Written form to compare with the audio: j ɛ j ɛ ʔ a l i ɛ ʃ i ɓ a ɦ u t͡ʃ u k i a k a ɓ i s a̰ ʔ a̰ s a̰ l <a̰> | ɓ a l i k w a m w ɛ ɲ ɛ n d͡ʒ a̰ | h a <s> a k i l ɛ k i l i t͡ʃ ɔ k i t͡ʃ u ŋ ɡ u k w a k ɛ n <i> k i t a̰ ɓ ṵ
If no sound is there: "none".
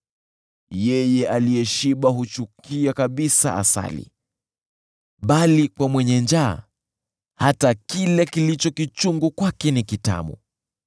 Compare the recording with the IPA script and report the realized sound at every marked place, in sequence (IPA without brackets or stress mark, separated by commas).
ḭ, t, i